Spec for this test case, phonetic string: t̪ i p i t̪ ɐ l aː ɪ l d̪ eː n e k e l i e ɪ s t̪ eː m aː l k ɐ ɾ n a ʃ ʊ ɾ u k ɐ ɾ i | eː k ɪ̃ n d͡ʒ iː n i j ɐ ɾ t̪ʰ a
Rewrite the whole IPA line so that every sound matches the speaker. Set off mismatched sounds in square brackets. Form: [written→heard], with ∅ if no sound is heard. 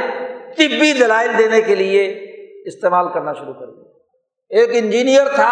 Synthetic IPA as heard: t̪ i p i [t̪→d̪] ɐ l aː ɪ l d̪ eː n e k e l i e ɪ s t̪ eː m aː l k ɐ ɾ n a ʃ ʊ ɾ u k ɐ ɾ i | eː k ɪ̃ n d͡ʒ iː n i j [ɐ→ə] ɾ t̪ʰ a